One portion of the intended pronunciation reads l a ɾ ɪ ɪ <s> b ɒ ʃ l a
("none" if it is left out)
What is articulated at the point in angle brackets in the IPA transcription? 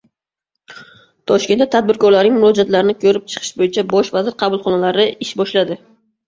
ʃ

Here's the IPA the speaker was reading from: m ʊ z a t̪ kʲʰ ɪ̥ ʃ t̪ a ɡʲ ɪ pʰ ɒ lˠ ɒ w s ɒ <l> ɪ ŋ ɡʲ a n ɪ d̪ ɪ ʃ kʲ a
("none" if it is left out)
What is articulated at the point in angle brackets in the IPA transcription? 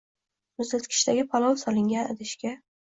l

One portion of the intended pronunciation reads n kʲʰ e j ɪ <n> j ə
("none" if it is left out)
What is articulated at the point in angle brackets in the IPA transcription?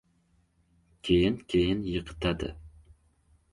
n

